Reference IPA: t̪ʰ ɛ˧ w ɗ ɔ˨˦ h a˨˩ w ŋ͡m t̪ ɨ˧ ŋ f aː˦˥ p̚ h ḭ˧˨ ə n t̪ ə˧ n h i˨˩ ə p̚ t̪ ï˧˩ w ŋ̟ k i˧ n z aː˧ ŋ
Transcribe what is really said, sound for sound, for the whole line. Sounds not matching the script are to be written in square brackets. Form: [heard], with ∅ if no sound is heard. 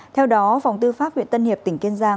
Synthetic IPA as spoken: t̪ʰ ɛ˧ w ɗ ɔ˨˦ [f] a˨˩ w ŋ͡m t̪ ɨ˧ [∅] f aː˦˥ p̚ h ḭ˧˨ ə n t̪ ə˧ n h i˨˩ ə p̚ t̪ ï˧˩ [∅] ŋ̟ k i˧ n z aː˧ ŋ